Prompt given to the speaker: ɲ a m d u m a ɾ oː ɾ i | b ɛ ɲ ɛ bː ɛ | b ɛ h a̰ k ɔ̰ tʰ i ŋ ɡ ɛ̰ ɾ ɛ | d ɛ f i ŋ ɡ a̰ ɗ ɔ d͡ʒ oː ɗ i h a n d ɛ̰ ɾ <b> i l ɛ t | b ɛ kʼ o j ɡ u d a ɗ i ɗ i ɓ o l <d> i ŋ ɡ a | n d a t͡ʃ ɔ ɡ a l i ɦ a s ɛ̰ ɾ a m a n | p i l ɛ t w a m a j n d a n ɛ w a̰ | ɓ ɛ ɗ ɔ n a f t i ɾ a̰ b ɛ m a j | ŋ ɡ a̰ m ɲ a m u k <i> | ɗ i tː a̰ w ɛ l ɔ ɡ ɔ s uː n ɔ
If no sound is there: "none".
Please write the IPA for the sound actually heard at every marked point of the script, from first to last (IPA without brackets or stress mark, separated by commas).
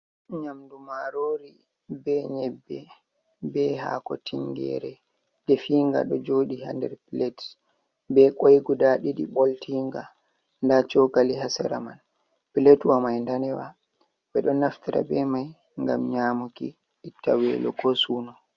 p, t, i